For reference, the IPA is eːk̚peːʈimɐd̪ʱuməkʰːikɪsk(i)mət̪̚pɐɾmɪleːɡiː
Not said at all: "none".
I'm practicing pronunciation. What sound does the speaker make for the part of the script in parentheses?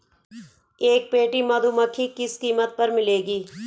iː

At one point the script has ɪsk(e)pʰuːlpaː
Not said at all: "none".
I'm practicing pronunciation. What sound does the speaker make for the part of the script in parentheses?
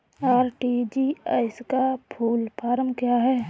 a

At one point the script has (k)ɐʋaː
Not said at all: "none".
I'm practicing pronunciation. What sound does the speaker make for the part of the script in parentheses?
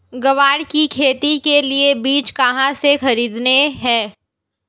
ɡ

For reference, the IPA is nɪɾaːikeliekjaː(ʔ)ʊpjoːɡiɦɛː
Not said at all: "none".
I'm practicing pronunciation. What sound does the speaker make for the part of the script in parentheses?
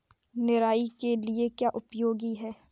ʔ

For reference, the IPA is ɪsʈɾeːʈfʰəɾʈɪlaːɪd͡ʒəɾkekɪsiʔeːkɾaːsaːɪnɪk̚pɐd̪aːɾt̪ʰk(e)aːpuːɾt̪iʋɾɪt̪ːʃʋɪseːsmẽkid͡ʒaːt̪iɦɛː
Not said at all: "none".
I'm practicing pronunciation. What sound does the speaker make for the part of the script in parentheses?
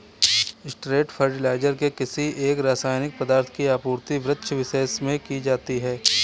i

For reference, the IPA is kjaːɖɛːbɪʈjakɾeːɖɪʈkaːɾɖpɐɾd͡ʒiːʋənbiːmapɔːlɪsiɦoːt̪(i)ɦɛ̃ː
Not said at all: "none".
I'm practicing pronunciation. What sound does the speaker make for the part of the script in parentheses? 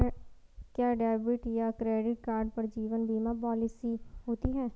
i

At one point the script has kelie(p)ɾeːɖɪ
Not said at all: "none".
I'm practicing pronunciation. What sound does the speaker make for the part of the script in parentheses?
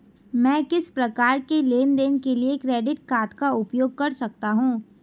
k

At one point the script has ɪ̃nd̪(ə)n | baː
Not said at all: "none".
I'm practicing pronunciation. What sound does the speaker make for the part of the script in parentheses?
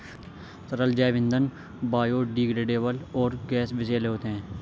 ə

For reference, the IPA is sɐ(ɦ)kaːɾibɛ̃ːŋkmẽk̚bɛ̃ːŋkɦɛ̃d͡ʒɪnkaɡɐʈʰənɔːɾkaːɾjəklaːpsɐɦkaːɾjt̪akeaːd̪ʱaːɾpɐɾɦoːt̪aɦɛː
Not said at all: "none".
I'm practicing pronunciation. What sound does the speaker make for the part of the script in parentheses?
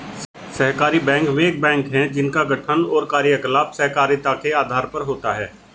ɦ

